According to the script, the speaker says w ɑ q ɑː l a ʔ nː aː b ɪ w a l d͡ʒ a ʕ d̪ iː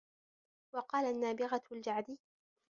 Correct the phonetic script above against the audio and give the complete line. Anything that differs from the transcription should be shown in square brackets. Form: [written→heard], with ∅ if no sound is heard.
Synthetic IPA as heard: w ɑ q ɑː l a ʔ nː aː b ɪ [w→ɣ] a l d͡ʒ a ʕ d̪ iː